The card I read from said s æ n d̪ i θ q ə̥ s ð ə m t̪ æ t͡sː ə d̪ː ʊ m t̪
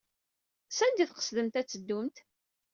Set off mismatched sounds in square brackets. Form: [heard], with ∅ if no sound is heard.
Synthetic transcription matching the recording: s æ n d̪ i θ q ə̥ s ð ə m t̪ æ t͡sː ə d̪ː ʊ m t̪